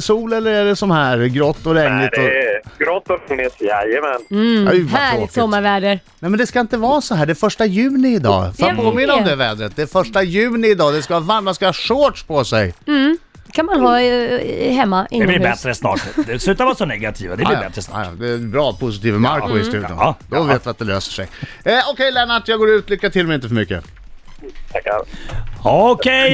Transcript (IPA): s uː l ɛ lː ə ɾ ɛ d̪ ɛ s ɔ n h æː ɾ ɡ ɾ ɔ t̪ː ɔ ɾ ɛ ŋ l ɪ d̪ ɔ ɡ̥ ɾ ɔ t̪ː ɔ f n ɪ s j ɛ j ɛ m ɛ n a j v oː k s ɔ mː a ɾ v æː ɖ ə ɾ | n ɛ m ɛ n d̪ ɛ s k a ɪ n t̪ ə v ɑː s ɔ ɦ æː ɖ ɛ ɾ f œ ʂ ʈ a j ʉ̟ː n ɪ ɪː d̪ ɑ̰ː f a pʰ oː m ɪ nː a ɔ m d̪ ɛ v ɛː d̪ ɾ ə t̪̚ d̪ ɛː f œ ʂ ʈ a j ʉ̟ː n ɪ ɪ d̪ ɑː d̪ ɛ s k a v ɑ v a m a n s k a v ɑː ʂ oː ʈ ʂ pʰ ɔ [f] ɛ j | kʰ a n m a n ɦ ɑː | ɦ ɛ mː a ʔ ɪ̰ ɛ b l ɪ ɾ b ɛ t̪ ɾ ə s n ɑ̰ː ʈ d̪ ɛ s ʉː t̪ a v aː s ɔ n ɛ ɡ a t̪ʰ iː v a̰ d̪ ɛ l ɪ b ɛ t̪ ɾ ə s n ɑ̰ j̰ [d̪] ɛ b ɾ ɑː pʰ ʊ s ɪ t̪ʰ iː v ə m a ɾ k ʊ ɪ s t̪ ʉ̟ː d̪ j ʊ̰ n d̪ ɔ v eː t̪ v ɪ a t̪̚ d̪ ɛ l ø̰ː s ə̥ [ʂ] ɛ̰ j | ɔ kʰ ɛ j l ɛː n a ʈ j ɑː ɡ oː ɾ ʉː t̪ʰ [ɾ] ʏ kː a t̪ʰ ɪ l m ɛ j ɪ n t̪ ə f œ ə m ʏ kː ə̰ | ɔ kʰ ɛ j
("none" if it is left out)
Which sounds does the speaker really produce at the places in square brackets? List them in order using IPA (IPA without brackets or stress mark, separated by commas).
s, d̪, ʂ, l